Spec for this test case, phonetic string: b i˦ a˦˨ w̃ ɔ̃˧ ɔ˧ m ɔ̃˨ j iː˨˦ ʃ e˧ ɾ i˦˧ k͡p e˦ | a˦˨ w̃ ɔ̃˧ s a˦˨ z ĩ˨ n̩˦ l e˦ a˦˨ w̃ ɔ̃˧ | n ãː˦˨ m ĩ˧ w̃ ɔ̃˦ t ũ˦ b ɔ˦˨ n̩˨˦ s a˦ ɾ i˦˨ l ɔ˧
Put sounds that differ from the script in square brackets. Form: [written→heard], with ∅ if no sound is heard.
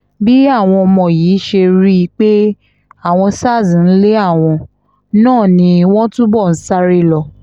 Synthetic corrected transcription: b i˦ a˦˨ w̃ ɔ̃˧ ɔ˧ m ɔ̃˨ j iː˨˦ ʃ e˧ ɾ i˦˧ k͡p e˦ | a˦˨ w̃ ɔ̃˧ s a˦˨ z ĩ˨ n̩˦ l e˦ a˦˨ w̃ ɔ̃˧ | n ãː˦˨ [m→n] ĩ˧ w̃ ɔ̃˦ t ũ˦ b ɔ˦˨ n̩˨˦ s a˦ ɾ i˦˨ l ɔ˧